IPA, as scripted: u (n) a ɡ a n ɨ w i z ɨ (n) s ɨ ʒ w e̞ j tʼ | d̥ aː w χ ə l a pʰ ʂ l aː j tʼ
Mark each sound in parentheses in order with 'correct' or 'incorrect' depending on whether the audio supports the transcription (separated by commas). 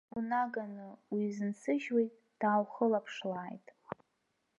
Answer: correct, correct